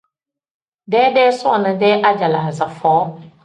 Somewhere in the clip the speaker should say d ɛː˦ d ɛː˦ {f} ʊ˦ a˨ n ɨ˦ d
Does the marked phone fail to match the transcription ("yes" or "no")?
yes